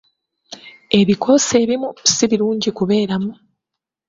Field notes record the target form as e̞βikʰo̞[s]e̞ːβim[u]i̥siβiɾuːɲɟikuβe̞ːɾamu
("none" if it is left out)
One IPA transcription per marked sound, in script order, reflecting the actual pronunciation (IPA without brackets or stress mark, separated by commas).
s, u